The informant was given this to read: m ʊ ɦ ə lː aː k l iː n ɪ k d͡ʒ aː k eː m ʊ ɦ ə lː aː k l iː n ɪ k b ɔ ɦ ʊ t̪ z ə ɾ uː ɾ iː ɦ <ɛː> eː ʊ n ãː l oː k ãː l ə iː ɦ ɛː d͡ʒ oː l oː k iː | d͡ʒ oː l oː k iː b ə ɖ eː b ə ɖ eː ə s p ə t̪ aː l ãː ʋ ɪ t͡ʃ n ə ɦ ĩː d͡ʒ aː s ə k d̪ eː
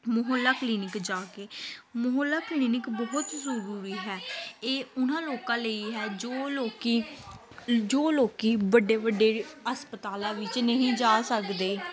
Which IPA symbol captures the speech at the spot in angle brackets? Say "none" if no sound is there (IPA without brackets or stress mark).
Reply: ɛː